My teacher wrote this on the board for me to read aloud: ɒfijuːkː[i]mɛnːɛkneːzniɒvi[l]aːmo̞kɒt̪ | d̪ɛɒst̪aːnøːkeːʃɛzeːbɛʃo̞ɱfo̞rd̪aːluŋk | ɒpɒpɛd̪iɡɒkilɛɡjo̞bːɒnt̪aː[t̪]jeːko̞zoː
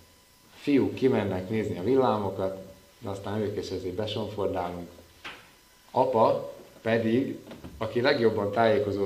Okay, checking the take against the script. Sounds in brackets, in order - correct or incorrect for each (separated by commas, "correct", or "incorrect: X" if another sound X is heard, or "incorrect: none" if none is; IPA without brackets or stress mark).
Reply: correct, incorrect: lː, incorrect: none